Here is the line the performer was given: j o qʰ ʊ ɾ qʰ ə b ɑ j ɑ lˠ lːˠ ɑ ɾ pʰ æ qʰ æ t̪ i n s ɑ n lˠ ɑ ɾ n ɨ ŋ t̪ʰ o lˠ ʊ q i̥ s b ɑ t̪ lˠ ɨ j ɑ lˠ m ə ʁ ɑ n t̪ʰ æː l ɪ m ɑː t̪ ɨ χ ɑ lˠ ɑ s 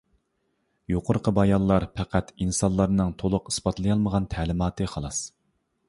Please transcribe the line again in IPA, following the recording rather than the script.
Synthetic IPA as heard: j o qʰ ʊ ɾ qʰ ə b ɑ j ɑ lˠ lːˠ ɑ ɾ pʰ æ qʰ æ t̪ i n s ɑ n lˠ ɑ ɾ n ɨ ŋ t̪ʰ o lˠ ʊ q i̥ s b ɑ t̪ lˠ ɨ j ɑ lˠ m ə ʁ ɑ n t̪ʰ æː l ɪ m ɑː t̪ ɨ χ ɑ lˠ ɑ s